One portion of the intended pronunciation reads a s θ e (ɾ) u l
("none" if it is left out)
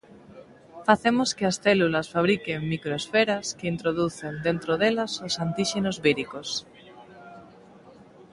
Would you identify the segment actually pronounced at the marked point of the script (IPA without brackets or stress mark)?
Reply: l